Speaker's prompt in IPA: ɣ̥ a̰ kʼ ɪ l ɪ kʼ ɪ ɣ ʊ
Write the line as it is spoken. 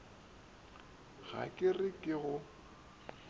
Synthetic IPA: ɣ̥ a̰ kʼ ɪ r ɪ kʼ ɪ ɣ ʊ